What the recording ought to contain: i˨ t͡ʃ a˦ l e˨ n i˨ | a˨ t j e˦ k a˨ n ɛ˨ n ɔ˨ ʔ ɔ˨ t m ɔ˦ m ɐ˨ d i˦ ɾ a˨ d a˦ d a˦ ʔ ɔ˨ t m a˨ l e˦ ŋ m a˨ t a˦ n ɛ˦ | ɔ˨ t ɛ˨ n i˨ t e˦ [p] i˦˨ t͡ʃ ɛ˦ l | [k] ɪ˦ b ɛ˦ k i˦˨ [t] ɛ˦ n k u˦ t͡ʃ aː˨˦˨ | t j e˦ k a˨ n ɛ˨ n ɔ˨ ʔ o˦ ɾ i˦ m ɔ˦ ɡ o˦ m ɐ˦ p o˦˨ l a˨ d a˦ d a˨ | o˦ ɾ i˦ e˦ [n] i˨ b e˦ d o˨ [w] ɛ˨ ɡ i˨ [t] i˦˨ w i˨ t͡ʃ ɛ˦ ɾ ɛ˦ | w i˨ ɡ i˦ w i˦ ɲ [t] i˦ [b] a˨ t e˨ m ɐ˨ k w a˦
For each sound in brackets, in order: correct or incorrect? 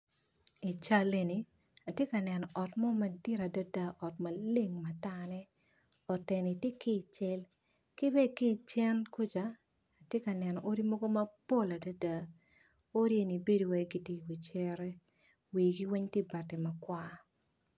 incorrect: k, correct, incorrect: t͡ʃ, correct, correct, correct, correct, correct

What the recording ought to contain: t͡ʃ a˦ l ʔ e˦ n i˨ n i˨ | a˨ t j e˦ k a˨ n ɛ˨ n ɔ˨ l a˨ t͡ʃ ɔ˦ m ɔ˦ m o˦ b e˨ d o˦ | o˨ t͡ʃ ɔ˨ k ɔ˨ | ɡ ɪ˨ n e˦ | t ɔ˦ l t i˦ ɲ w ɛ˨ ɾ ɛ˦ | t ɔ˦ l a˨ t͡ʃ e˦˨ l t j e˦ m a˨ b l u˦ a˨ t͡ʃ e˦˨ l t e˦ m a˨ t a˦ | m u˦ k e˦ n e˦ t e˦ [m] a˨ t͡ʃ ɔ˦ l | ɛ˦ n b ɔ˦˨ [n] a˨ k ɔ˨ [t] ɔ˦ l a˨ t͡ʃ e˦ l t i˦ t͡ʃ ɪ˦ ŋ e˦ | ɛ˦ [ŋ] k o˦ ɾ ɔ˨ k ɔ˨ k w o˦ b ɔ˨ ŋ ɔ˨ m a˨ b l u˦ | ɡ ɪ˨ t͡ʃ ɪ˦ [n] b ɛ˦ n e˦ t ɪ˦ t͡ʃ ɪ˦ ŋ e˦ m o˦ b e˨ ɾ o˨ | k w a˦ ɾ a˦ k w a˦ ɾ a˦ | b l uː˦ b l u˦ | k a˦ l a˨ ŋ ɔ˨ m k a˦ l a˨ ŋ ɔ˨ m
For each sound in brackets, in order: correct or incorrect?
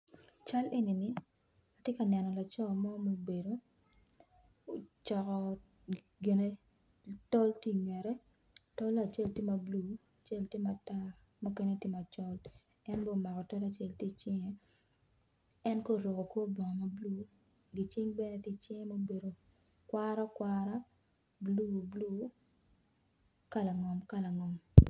correct, incorrect: m, correct, incorrect: n, incorrect: ŋ

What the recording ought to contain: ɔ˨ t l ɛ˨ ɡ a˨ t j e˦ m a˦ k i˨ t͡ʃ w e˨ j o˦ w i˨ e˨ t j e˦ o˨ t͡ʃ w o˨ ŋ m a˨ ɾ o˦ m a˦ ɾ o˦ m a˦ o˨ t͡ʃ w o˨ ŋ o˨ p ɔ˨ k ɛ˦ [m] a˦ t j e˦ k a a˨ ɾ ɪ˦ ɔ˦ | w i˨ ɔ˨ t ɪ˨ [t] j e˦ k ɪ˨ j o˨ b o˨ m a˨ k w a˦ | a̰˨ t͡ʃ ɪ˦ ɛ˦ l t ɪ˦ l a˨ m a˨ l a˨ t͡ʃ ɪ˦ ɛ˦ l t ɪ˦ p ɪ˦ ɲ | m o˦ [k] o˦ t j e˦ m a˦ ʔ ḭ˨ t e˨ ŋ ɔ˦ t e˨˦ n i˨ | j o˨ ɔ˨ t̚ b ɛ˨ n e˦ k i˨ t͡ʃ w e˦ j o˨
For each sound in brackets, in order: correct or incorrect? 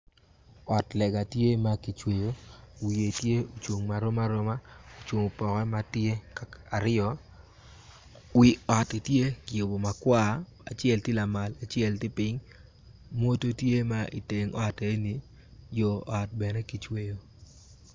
correct, correct, incorrect: t

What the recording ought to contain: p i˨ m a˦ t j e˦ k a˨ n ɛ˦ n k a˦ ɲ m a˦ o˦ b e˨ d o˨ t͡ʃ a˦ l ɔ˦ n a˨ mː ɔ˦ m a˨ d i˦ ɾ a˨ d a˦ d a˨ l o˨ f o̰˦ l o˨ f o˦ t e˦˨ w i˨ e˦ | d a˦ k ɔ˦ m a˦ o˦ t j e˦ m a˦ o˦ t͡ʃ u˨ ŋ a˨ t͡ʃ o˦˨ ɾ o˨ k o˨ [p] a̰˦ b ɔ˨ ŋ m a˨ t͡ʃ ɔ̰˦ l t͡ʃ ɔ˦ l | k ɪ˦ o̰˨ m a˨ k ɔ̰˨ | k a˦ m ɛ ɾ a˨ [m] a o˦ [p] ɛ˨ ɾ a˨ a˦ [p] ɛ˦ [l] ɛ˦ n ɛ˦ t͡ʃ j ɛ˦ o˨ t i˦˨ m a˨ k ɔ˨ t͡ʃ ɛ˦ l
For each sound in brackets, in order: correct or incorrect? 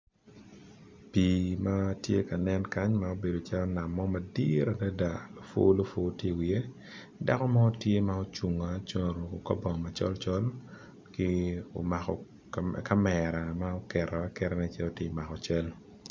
incorrect: k, correct, incorrect: k, incorrect: k, incorrect: ɾ

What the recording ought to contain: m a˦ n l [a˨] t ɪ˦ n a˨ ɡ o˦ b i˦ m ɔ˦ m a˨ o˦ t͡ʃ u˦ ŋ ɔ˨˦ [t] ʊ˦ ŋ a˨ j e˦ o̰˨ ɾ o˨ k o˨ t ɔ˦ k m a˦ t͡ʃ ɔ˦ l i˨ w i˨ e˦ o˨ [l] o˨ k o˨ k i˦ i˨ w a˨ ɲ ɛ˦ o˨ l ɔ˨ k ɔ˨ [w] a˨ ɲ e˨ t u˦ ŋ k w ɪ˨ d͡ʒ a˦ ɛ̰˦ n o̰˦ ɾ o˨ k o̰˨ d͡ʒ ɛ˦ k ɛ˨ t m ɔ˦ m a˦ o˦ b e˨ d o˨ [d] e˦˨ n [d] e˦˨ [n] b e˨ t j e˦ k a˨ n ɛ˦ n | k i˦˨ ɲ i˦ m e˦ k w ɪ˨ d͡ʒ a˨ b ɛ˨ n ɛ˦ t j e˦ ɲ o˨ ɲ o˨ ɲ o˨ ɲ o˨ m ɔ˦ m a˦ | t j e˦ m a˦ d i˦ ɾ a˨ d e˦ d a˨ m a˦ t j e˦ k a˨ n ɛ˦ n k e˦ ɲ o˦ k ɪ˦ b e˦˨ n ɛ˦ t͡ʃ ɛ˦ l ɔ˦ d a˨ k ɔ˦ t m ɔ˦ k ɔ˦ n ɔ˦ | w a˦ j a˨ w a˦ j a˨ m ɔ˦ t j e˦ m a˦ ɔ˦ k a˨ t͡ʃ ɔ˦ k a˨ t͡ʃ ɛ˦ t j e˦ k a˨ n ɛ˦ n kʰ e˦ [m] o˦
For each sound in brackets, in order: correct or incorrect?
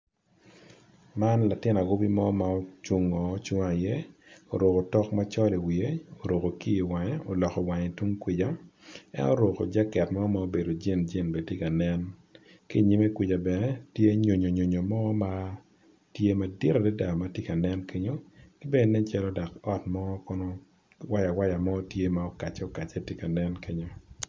correct, incorrect: t͡ʃ, incorrect: ɾ, correct, incorrect: d͡ʒ, incorrect: d͡ʒ, correct, incorrect: ɲ

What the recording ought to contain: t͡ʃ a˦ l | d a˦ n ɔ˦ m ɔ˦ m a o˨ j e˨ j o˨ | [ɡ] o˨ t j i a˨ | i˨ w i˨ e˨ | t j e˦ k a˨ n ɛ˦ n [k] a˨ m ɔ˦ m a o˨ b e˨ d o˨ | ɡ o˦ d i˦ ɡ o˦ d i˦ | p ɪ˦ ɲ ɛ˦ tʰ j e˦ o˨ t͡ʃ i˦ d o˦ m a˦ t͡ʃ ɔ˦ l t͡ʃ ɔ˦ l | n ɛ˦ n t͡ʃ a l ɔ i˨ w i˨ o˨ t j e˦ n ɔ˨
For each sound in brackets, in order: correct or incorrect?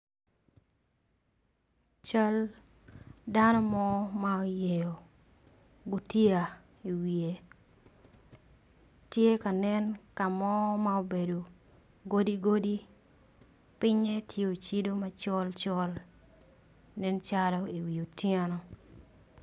correct, correct

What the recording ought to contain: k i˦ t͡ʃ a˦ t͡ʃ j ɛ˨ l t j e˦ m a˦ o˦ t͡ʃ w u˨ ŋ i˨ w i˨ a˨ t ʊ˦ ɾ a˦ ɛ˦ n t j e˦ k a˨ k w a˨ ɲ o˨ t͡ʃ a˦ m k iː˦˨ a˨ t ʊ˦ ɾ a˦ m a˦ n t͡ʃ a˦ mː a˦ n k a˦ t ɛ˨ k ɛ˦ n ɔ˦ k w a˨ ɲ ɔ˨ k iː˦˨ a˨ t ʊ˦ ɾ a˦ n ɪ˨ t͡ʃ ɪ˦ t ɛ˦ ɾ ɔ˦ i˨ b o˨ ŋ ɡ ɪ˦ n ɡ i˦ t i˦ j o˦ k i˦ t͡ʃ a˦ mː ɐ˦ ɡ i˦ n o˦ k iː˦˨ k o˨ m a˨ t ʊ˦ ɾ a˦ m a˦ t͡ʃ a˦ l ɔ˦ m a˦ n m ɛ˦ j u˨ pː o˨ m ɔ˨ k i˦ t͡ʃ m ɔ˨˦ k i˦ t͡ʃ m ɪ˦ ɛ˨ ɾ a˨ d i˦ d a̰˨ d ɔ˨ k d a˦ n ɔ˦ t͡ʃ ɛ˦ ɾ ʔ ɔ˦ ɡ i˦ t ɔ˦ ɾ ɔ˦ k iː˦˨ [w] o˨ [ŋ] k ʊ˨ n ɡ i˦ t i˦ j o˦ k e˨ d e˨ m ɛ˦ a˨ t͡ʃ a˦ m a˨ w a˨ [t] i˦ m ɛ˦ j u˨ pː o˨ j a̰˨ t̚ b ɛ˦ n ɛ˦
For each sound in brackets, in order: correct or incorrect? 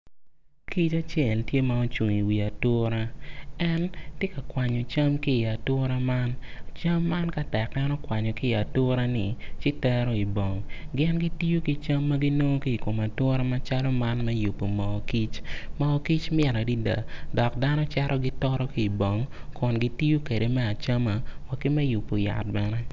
incorrect: b, correct, incorrect: k

